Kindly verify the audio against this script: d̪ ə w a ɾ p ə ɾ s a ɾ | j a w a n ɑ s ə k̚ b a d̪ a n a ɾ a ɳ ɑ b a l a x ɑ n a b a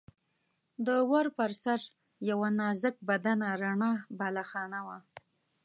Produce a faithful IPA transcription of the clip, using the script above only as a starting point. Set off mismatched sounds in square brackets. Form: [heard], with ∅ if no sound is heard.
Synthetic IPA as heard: d̪ ə w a ɾ p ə ɾ s a ɾ | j a w a n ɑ [z] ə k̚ b a d̪ a n a ɾ a ɳ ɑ b a l a x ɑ n a [w] a